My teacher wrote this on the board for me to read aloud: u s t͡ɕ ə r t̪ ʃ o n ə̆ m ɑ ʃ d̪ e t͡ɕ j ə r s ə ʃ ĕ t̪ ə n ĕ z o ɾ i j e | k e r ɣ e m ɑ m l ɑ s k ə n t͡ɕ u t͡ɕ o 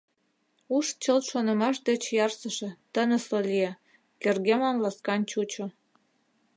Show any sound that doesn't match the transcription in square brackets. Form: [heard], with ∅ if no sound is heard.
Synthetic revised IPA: u [ʃ] t͡ɕ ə [l] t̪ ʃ o n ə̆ m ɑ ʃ d̪ e t͡ɕ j [ɑ] r s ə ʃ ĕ t̪ ə n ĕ [s] o [l] i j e | k e r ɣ e m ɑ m l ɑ s k [ɑ] n t͡ɕ u t͡ɕ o